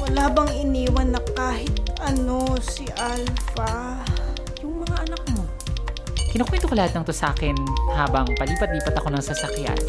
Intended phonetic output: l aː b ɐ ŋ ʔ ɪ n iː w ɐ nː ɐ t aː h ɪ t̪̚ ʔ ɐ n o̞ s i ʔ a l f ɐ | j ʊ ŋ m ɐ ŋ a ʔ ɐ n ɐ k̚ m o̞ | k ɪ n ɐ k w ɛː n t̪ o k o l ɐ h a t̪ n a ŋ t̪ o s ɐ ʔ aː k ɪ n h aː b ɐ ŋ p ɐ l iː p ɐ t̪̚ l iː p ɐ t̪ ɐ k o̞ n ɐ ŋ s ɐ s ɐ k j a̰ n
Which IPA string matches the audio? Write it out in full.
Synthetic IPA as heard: l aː b ɐ ŋ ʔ ɪ n iː w ɐ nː ɐ k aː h ɪ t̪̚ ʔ ɐ n o̞ s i ʔ a l f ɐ | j ʊ ŋ m ɐ ŋ a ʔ ɐ n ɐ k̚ m o̞ | k ɪ n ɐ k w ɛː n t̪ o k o l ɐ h a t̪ n ɐ ŋ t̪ o s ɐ ʔ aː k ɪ n h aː b ɐ ŋ p ɐ l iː p ɐ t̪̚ l iː p ɐ t̪ ɐ k o̞ n ɐ ŋ s ɐ s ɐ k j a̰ n